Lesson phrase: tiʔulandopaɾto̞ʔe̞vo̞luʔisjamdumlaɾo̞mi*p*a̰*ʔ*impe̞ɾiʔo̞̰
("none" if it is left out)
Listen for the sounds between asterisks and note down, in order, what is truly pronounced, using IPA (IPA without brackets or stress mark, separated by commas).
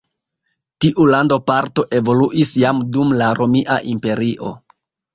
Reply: ʔ, ʔ